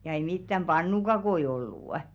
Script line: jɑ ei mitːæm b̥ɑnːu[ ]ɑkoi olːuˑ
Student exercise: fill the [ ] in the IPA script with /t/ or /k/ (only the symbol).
k